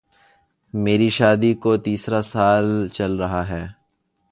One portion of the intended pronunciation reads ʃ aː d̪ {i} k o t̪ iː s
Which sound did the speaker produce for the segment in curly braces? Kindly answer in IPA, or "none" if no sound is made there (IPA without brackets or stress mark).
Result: i